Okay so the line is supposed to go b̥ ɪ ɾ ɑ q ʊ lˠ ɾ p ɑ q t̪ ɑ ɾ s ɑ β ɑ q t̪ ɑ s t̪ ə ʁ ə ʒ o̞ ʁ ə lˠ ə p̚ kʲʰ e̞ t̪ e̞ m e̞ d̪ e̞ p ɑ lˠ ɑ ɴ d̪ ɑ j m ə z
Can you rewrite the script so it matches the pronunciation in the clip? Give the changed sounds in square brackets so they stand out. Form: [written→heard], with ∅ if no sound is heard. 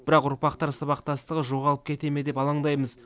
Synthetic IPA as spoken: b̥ ɪ ɾ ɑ q ʊ [lˠ→∅] ɾ p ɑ q t̪ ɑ ɾ s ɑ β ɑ q t̪ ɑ s t̪ ə ʁ ə ʒ o̞ ʁ [ə→ɑ] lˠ ə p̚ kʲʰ e̞ t̪ e̞ m e̞ d̪ e̞ p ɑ lˠ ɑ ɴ d̪ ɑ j m ə z